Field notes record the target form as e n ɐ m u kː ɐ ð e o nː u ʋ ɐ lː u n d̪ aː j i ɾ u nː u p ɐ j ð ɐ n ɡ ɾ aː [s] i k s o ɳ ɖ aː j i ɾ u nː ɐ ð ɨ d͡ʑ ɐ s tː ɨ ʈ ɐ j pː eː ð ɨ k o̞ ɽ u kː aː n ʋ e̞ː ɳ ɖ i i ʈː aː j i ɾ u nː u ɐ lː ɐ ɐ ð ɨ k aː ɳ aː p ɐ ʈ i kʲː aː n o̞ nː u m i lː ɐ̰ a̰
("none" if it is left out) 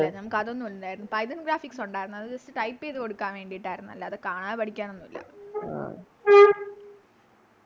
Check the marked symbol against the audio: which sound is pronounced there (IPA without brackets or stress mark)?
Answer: f